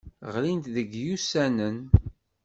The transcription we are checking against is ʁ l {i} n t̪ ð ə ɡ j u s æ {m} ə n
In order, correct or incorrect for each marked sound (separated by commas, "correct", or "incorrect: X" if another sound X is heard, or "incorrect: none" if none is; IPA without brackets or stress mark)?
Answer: correct, incorrect: n